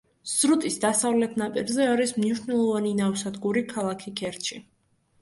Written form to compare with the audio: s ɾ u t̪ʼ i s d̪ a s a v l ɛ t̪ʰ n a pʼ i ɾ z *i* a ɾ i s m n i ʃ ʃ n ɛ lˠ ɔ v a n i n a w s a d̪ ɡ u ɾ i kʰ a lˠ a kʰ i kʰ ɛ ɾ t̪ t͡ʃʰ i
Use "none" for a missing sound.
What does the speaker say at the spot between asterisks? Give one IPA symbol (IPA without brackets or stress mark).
ɛ